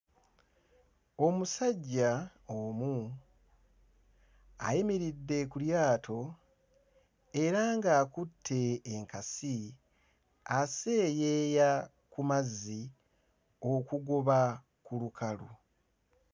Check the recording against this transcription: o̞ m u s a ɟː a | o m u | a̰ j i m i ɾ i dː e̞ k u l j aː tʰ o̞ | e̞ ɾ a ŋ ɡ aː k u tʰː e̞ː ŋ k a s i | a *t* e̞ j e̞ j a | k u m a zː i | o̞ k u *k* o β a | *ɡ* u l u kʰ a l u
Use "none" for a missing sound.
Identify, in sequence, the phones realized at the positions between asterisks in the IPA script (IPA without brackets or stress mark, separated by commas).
s, ɡ, k